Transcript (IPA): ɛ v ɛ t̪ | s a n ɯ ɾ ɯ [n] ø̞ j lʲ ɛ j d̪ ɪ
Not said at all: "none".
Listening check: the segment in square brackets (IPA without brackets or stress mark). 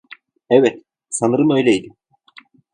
n